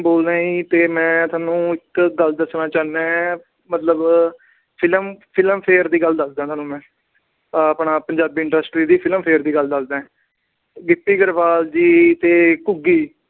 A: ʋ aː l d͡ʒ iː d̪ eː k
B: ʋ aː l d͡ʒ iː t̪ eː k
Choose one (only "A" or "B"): B